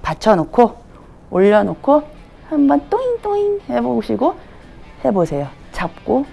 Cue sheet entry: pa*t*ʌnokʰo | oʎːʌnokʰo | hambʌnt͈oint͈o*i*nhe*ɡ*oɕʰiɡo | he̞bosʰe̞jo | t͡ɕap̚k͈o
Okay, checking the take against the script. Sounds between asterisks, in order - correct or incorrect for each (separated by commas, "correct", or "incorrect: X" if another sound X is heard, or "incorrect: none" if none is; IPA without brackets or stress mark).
incorrect: t͡ɕʰ, correct, incorrect: b